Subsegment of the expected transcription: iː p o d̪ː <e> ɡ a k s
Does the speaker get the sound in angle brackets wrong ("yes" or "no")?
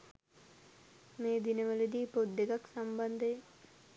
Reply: no